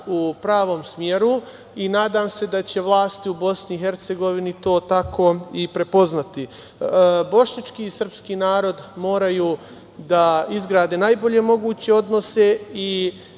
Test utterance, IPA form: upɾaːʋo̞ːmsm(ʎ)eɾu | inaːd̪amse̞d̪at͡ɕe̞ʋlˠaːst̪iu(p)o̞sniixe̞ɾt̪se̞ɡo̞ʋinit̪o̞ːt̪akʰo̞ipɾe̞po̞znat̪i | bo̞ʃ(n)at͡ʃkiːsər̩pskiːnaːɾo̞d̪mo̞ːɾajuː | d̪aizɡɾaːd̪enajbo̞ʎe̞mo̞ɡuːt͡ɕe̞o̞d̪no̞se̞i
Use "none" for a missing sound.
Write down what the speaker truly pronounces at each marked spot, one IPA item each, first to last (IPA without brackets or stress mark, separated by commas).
j, b, ɲ